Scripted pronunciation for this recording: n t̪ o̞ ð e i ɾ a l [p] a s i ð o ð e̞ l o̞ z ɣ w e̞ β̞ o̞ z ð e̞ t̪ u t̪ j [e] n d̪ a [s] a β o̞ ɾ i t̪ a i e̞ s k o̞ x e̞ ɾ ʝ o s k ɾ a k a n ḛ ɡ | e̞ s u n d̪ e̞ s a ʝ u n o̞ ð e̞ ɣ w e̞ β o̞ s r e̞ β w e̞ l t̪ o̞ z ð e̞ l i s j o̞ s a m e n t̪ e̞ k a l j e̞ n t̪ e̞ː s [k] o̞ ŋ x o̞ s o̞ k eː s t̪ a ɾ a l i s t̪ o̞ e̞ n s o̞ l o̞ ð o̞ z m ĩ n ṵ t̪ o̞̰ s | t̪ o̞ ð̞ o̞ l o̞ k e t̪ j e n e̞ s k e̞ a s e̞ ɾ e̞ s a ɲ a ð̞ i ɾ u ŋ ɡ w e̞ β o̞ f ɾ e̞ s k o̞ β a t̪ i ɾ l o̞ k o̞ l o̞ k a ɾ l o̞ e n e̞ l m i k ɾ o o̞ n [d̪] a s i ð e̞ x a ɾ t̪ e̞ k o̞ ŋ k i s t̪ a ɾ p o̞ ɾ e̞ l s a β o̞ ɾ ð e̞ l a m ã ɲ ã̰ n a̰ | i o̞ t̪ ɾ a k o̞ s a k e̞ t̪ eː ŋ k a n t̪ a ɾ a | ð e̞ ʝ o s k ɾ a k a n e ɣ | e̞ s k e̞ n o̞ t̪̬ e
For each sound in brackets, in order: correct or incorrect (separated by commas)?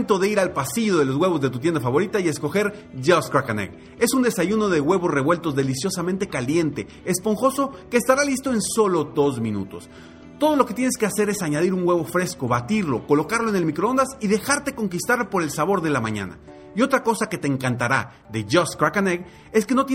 correct, correct, incorrect, incorrect, correct